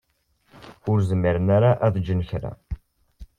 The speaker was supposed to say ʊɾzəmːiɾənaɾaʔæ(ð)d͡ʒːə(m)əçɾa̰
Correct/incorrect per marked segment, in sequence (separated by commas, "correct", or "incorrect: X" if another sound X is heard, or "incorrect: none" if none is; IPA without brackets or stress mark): correct, incorrect: n